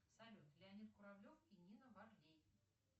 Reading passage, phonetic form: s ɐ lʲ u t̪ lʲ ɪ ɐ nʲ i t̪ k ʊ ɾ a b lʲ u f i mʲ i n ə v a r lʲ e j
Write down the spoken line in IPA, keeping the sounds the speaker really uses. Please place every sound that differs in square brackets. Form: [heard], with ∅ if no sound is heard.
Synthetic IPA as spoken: s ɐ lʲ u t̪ lʲ ɪ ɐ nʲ i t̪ k ʊ ɾ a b lʲ [o] f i [nʲ] i n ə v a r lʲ e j

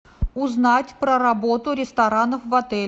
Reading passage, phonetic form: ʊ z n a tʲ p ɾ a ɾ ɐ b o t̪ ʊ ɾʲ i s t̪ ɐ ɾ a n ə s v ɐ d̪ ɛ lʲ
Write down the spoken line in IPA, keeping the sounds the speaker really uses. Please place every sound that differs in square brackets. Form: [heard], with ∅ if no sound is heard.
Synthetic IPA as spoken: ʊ z n a tʲ p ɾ [ə] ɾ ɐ b o t̪ ʊ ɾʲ [ɪ] s t̪ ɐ ɾ a n ə [f] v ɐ [t̪] ɛ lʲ

